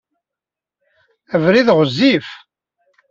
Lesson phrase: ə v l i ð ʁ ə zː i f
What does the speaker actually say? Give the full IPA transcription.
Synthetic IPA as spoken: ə v ɾ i ð ʁ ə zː i f